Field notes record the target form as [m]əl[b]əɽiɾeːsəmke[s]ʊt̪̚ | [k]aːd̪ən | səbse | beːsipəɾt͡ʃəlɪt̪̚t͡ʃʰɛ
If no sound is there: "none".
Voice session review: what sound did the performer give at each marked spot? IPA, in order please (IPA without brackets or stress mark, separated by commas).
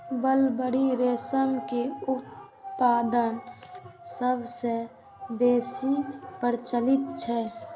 b, b, none, p